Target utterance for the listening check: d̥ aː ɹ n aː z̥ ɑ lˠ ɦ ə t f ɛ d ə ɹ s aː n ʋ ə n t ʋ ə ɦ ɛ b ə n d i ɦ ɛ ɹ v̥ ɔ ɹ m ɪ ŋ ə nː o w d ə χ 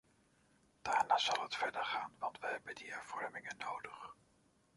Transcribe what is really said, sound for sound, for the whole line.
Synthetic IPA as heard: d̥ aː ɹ n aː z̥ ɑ lˠ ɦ ə t f ɛ d ə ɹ χ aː n ʋ ɑ n t ʋ ə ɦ ɛ b ə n d i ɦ ɛ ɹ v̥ ɔ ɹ m ɪ ŋ ə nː o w d ə χ